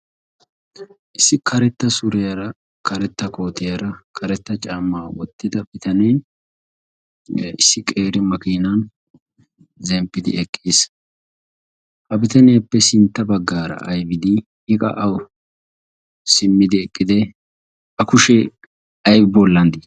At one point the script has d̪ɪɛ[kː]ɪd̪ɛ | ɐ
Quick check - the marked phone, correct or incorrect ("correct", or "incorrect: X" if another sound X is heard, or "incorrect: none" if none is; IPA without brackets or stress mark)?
incorrect: kʼː